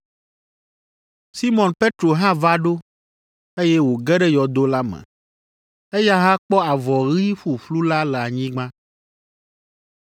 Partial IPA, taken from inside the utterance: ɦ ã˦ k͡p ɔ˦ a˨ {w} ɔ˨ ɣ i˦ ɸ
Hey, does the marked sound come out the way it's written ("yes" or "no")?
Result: no